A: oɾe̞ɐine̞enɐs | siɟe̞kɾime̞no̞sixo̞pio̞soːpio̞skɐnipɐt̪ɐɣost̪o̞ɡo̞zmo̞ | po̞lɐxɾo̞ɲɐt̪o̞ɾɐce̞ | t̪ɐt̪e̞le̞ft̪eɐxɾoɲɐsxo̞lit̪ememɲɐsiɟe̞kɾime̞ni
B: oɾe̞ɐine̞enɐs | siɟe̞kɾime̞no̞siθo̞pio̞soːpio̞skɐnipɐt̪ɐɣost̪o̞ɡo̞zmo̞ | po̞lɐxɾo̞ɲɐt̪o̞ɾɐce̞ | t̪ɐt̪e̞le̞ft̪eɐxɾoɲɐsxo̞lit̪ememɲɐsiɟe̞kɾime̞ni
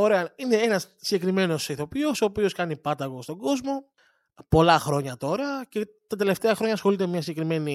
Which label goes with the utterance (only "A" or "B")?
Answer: B